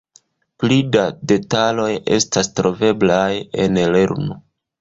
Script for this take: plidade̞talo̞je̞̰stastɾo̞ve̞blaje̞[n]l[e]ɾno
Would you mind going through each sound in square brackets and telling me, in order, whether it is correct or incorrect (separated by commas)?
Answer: correct, correct